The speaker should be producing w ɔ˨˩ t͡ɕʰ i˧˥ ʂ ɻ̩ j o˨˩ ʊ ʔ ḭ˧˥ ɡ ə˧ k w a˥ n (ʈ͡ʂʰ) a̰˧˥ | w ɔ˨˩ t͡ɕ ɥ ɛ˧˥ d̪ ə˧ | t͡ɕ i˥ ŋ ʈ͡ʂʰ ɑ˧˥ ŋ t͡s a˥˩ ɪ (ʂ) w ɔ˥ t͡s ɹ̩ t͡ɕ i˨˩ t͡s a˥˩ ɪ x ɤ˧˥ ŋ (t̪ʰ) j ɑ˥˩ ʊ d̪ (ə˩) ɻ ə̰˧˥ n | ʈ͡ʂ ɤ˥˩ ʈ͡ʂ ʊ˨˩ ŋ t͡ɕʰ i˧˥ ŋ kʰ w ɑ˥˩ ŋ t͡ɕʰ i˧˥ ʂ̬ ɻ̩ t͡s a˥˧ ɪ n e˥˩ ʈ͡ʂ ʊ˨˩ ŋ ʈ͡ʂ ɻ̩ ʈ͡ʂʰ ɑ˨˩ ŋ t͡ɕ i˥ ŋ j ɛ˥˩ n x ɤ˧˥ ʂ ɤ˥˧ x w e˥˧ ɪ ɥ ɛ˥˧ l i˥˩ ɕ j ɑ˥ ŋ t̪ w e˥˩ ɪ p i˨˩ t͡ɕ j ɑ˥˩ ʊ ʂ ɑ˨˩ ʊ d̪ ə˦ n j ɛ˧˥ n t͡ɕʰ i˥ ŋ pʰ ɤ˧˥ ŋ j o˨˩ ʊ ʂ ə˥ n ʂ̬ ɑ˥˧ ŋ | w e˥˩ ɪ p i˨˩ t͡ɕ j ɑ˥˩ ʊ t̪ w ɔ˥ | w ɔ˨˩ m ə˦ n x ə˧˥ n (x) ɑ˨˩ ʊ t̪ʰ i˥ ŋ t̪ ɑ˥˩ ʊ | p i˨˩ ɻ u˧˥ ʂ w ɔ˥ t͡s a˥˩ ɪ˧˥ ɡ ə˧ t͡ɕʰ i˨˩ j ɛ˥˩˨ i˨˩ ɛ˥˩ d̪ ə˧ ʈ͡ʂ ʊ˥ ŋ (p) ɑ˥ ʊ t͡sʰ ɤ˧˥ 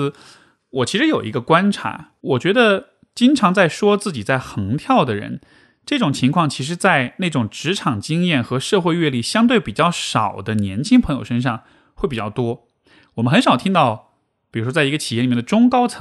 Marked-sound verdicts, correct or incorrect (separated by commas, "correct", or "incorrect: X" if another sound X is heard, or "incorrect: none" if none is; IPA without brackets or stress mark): correct, correct, correct, correct, incorrect: ʂ, incorrect: k